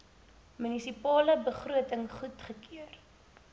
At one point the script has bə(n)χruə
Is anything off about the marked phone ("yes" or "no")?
yes